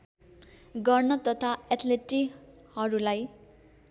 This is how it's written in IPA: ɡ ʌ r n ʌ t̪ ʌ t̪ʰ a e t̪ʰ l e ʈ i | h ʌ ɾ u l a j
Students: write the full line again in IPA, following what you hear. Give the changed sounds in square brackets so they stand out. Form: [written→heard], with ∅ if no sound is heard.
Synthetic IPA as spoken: ɡ ʌ r n ʌ t̪ ʌ t̪ʰ a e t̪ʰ l e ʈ i | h ʌ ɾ u l a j